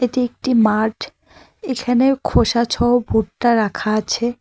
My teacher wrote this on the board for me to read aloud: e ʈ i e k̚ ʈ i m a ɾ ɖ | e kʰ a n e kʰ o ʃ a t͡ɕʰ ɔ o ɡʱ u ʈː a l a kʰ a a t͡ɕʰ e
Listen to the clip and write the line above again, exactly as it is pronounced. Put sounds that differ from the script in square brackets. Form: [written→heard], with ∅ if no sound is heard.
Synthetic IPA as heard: e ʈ i e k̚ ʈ i m a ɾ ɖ | e kʰ a n e kʰ o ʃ a t͡ɕʰ ɔ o [ɡʱ→bʱ] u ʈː a [l→ɾ] a kʰ a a t͡ɕʰ e